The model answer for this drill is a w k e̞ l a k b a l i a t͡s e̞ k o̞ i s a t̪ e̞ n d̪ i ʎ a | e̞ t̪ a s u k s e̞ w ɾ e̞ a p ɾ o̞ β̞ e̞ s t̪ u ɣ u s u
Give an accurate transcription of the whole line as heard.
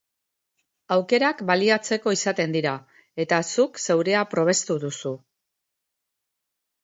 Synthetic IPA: a w k e̞ ɾ a k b a l i a t͡s e̞ k o̞ i s a t̪ e̞ n d̪ i ɾ a | e̞ t̪ a s u k s e̞ w ɾ e̞ a p ɾ o̞ β̞ e̞ s t̪ u ð u s u